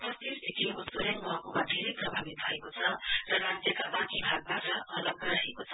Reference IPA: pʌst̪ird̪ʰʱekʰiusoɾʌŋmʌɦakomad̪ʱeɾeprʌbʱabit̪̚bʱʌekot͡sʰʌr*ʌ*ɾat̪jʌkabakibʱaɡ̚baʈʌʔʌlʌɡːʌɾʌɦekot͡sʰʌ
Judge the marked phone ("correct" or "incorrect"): correct